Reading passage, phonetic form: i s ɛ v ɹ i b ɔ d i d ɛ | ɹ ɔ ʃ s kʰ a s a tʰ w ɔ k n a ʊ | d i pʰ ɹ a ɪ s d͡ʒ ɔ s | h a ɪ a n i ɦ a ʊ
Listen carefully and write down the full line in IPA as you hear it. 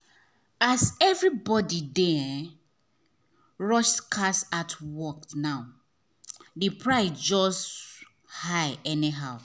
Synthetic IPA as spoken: a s ɛ v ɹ i b ɔ d i d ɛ | ɹ ɔ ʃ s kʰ a s a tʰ w ɔ k n a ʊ | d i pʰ ɹ a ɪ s d͡ʒ ɔ s | h a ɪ ɛ n i ɦ a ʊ